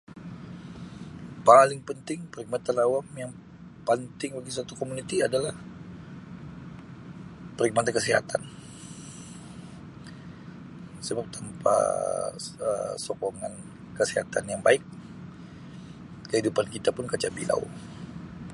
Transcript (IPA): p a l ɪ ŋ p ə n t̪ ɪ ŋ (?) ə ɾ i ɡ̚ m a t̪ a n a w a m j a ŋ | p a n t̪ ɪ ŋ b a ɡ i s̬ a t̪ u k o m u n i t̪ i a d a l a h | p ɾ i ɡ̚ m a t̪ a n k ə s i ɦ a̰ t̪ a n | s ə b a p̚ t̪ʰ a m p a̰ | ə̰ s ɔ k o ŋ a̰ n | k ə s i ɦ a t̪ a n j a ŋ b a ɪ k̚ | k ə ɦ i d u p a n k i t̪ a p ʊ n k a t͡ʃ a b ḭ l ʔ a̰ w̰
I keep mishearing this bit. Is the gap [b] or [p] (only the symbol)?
p